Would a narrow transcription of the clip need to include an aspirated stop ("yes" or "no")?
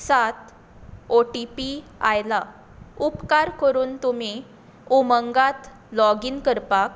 no